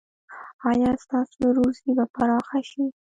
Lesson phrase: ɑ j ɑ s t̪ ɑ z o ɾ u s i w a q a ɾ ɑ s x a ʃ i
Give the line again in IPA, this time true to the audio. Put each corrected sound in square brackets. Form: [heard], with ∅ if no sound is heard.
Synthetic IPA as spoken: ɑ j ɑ s t̪ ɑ [s] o ɾ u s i [b] a [p] a ɾ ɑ [∅] x a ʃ i